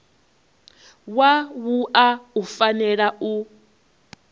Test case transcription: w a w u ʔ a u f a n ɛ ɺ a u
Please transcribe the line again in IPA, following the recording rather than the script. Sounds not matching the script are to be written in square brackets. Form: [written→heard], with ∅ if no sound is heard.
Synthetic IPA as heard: w a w u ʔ a u f a n ɛ ɺ a u

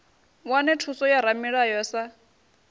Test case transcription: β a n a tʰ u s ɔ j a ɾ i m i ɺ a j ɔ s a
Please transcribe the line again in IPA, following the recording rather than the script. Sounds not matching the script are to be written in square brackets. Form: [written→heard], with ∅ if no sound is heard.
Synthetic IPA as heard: [β→w] a n [a→ɛ] tʰ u s ɔ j a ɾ [i→a] m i ɺ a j ɔ s a

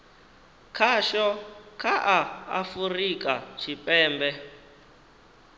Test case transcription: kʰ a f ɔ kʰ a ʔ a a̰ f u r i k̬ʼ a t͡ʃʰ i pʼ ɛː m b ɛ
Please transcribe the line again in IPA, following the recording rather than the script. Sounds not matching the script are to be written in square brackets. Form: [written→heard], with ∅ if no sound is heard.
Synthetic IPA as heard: kʰ a [f→ʃ] ɔ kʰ a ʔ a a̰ f u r i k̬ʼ a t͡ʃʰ i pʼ ɛː m b ɛ

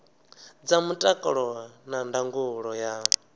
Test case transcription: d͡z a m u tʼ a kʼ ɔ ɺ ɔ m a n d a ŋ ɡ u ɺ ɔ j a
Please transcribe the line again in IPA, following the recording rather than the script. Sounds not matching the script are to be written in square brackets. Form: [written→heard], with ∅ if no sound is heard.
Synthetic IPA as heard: d͡z a m u tʼ a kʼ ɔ ɺ ɔ [m→n] a n d a ŋ ɡ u ɺ ɔ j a

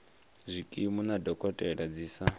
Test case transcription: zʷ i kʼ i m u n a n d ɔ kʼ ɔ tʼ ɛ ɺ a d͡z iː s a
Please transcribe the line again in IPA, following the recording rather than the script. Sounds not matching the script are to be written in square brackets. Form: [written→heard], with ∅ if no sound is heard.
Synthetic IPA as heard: zʷ i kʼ i m u n a [n→∅] d ɔ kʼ ɔ tʼ ɛ ɺ a d͡z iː s a

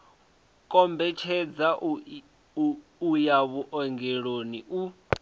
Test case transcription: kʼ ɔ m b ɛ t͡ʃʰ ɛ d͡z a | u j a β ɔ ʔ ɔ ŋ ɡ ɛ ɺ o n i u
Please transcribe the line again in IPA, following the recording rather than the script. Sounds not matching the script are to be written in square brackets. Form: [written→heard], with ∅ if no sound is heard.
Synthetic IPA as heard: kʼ ɔ m b ɛ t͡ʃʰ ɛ d͡z a | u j a β [ɔ→u] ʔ ɔ ŋ ɡ ɛ ɺ o n i u

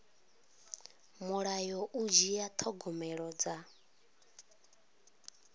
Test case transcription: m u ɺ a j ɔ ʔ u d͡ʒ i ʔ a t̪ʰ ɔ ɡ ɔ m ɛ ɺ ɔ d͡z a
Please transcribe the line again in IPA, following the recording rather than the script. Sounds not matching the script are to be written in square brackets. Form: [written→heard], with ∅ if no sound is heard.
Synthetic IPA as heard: m u ɺ a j ɔ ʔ u d͡ʒ i [ʔ→∅] a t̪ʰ ɔ ɡ ɔ m ɛ ɺ ɔ d͡z a

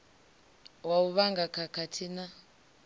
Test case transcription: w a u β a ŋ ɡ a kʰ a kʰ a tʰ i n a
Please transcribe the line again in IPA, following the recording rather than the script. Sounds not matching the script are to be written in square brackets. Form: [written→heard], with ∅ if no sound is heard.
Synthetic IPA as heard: w a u β a ŋ ɡ a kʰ a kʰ a tʰ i n a

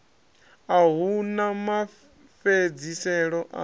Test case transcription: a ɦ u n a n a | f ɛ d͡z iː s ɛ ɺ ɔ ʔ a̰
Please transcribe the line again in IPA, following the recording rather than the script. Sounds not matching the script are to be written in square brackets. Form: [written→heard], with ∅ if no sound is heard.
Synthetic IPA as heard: a ɦ u n a [n→m] a | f [ɛ→e] d͡z [iː→i] s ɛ ɺ ɔ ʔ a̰

